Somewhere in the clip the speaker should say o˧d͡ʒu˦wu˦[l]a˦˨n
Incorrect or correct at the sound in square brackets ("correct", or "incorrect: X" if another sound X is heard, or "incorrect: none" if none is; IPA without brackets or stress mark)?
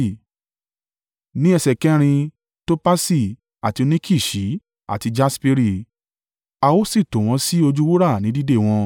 incorrect: ɾ